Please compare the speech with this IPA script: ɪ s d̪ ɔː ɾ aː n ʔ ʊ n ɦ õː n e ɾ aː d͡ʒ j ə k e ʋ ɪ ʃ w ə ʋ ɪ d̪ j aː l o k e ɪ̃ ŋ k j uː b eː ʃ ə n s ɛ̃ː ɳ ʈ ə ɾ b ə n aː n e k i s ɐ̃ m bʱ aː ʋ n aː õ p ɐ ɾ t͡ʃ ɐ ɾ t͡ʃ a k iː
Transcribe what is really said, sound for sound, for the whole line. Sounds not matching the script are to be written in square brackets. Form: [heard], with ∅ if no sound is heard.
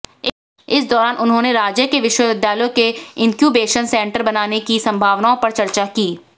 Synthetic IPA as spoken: ɪ s d̪ ɔː ɾ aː n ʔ ʊ n ɦ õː n e ɾ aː d͡ʒ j ə k e ʋ ɪ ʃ w ə ʋ ɪ d̪ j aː l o k e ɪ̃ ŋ k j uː b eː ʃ ə n s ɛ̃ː ɳ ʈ ə ɾ b [ɐ] n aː n e k i s ɐ̃ m bʱ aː ʋ n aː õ p ɐ ɾ t͡ʃ ɐ ɾ t͡ʃ a k iː